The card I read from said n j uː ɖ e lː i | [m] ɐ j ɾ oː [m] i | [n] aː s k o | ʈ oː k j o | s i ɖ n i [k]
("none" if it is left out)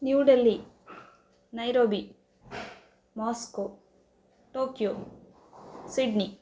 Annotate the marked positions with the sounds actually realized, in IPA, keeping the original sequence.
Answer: n, b, m, none

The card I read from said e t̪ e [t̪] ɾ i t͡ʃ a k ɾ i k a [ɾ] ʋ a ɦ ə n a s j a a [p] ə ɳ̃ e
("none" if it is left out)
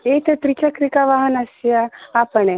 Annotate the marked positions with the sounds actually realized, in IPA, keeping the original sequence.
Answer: t̪, none, p

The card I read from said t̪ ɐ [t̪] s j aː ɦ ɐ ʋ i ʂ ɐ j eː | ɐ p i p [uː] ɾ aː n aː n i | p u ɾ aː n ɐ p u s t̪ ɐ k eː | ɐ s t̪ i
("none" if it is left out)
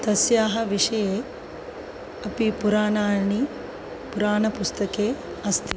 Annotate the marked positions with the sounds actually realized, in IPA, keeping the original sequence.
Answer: none, u

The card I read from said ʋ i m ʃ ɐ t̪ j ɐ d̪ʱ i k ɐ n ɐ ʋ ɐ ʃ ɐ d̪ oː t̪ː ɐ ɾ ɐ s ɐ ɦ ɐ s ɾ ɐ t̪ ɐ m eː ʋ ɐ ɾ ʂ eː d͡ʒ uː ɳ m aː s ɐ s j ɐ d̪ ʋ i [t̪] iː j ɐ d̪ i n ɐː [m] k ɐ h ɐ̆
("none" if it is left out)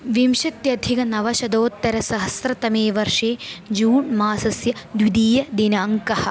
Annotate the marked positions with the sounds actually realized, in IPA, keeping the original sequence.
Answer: d̪, ŋ

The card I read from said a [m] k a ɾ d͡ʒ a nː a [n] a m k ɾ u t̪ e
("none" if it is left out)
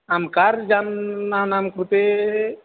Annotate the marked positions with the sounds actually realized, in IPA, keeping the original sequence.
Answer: m, n

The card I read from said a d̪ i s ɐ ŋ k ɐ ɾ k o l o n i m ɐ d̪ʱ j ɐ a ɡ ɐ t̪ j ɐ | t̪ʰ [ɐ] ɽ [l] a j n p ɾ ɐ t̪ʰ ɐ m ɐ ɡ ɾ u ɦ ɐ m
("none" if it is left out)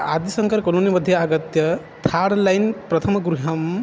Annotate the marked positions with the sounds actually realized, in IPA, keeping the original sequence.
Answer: a, l

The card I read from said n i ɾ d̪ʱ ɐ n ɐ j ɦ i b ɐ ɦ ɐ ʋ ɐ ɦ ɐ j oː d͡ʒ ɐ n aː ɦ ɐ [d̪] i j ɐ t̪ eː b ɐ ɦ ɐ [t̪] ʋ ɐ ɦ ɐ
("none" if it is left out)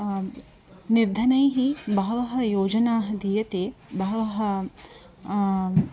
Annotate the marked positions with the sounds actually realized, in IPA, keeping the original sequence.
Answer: d̪, none

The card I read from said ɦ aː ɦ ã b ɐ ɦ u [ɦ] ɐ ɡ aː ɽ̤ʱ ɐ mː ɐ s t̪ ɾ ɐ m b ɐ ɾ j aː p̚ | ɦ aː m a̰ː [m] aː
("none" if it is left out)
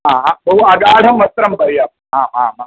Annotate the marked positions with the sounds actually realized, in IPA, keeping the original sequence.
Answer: none, m

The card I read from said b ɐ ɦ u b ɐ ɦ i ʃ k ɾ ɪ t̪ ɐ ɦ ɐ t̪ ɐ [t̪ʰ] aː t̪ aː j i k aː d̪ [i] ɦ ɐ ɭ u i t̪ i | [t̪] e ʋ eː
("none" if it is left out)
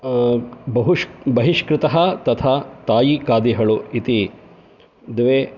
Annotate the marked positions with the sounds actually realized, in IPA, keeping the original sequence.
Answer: t̪ʰ, i, d̪

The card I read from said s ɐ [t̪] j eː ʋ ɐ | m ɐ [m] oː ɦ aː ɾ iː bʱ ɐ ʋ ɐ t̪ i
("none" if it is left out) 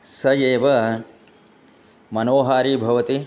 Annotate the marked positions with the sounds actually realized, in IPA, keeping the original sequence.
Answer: none, n

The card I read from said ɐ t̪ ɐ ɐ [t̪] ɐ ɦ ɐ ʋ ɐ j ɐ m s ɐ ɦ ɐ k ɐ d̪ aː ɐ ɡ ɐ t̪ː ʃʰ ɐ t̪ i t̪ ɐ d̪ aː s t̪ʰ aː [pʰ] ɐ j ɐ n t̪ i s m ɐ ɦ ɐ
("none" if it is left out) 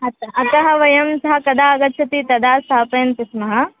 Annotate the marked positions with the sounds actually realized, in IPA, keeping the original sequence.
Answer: t̪, p

